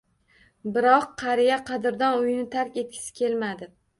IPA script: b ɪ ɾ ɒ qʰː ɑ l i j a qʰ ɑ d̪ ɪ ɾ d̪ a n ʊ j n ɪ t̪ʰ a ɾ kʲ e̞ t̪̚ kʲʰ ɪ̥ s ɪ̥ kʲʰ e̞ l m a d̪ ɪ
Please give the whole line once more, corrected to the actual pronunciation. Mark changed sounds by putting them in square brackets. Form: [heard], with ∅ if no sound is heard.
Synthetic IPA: b ɪ ɾ ɒ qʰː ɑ [ɾ] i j a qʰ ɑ d̪ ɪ ɾ d̪ a n ʊ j n ɪ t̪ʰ a ɾ kʲ e̞ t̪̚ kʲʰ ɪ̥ s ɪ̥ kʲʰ e̞ l m a d̪ ɪ